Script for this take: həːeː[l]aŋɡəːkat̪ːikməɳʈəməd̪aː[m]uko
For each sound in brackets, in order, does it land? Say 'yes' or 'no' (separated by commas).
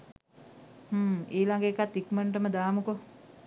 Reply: yes, yes